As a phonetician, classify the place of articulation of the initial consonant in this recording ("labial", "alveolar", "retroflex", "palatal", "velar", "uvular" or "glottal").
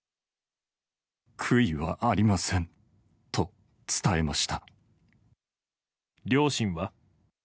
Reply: velar